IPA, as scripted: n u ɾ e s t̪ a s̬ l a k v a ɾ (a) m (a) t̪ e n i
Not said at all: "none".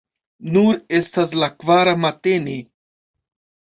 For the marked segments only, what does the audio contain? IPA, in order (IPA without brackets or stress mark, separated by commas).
a, a